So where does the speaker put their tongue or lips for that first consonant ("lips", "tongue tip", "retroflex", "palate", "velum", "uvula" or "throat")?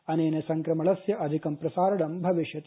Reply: tongue tip